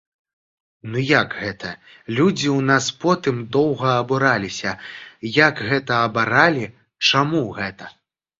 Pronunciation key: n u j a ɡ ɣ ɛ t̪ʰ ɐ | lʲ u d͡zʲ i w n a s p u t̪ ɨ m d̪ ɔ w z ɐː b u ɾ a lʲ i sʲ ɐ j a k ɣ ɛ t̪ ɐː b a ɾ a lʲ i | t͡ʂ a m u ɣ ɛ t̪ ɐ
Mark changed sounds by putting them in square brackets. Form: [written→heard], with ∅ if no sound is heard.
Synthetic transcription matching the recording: n u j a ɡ ɣ ɛ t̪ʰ ɐ | lʲ u d͡zʲ i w n a s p [u→ɔ] t̪ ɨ m d̪ ɔ w [z→ɣ] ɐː b u ɾ a lʲ i sʲ ɐ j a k ɣ ɛ t̪ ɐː b a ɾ a lʲ i | t͡ʂ a m u ɣ ɛ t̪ ɐ

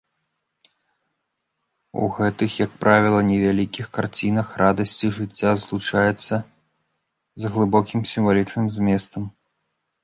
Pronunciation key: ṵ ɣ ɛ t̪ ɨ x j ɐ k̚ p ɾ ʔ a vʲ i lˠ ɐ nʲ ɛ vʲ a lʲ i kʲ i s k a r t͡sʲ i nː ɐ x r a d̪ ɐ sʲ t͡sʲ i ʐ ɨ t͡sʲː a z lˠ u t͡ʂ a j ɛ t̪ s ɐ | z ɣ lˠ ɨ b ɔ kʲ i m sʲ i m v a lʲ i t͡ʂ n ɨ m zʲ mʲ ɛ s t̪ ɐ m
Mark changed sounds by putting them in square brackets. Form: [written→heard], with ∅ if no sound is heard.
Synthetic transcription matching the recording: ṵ ɣ ɛ t̪ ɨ x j ɐ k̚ p ɾ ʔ a vʲ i lˠ ɐ nʲ ɛ vʲ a lʲ i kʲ i [s→x] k a r t͡sʲ i [nː→n] ɐ x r a d̪ ɐ sʲ t͡sʲ i ʐ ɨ t͡sʲː a z lˠ u t͡ʂ a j ɛ t̪ [s→sː] ɐ | z ɣ lˠ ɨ b ɔ kʲ i m sʲ i m v a lʲ i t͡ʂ n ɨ m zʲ mʲ ɛ s t̪ ɐ m

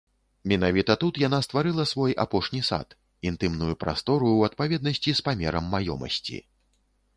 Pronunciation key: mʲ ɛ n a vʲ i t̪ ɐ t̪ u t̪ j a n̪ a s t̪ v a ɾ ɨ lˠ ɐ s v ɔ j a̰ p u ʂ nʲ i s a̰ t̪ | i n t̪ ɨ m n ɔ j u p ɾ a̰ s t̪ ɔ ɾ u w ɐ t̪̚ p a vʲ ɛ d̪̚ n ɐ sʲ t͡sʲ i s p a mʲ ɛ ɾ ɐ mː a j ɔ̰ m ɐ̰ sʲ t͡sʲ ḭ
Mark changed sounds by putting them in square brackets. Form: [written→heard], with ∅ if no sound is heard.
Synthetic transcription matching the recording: mʲ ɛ n a vʲ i t̪ ɐ t̪ u t̪ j a n̪ a s t̪ v a ɾ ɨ lˠ ɐ s v ɔ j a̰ p [u→ɔ] ʂ nʲ i s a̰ t̪ | i n t̪ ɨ m n [ɔ→u] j u p ɾ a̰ s t̪ ɔ ɾ u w ɐ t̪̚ p a vʲ ɛ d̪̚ n ɐ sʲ t͡sʲ i s p a mʲ ɛ ɾ ɐ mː a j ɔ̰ m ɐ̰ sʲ t͡sʲ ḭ

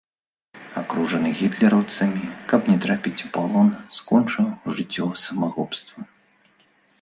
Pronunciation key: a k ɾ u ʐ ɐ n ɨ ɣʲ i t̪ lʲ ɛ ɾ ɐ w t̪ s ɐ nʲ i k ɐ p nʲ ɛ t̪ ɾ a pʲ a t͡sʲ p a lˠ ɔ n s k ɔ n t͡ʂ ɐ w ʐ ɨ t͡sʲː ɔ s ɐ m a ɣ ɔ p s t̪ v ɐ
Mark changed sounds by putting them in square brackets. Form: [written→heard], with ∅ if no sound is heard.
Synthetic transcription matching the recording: a k ɾ u ʐ ɐ n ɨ ɣʲ i t̪ lʲ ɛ ɾ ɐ w t̪ s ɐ [nʲ→mʲ] i k ɐ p nʲ ɛ t̪ ɾ a pʲ [a→i] t͡sʲ p a lˠ ɔ n s k ɔ n t͡ʂ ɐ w ʐ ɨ t͡sʲː ɔ s ɐ m a ɣ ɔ p s t̪ v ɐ

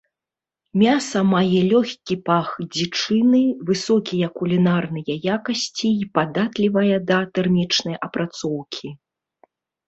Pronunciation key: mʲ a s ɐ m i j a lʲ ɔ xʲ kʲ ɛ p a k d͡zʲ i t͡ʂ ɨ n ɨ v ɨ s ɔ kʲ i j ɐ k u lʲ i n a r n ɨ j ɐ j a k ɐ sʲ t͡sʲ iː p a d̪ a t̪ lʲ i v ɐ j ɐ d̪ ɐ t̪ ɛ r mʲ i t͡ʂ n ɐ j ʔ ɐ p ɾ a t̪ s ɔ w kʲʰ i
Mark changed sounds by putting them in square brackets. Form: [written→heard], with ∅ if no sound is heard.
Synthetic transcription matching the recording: mʲ a s ɐ m [i→a] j [a→ɛ] lʲ ɔ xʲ kʲ [ɛ→i] p a [k→x] d͡zʲ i t͡ʂ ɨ n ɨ v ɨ s ɔ kʲ i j ɐ k u lʲ i n a r n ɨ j ɐ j a k ɐ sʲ t͡sʲ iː p a d̪ a t̪ lʲ i v ɐ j ɐ d̪ ɐ t̪ ɛ r mʲ i t͡ʂ n ɐ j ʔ ɐ p ɾ a t̪ s ɔ w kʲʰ i

